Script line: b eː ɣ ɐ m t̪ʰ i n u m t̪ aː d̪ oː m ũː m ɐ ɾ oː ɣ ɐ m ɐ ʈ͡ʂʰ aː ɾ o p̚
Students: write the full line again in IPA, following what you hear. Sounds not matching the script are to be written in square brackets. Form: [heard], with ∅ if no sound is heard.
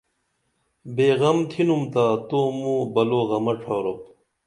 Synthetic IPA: b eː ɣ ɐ m t̪ʰ i n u m t̪ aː [t̪] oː m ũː [b] ɐ [l] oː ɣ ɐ m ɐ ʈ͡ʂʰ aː ɾ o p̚